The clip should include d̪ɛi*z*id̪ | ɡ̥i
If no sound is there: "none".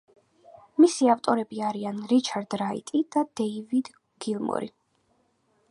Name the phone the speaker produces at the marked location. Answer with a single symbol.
v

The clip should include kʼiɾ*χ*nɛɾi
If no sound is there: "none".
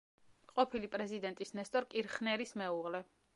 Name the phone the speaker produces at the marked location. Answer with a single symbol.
χ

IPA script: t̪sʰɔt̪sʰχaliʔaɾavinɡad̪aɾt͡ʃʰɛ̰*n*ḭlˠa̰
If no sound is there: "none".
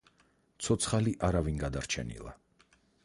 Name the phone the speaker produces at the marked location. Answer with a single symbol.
n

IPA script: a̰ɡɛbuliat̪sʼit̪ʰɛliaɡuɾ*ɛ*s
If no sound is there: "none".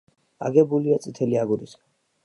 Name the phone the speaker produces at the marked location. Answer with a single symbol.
i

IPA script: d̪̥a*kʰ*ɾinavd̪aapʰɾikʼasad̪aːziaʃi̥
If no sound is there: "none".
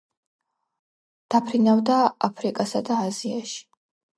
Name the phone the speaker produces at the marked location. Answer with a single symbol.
pʰ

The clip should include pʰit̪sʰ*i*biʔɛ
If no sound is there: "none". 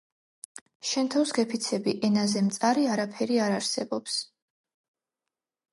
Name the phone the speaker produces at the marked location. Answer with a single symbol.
ɛ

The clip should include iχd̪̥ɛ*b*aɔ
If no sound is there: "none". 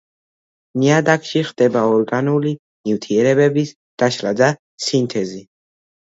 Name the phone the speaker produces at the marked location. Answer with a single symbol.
b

